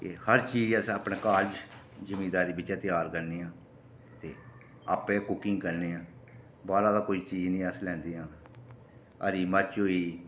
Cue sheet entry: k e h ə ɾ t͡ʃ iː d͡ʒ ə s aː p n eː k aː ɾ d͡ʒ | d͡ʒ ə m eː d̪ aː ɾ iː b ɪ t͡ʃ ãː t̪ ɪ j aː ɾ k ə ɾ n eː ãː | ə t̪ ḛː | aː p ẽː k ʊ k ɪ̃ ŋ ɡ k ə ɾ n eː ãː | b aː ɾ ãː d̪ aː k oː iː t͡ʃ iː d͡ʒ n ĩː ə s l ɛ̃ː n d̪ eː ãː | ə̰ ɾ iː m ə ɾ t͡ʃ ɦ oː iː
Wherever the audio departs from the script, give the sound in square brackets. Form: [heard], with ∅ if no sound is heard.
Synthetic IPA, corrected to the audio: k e h ə ɾ t͡ʃ iː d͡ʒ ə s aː p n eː k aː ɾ d͡ʒ | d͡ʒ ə m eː d̪ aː ɾ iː b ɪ t͡ʃ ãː t̪ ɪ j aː ɾ k ə ɾ n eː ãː | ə t̪ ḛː | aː p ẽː k ʊ k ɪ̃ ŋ ɡ k ə ɾ n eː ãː | b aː ɾ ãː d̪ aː k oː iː t͡ʃ iː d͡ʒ n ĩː ə s l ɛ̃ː n d̪ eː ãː | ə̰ ɾ iː m ə ɾ t͡ʃ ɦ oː iː